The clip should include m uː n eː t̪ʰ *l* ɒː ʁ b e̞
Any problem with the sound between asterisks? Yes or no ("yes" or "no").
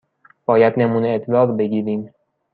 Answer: no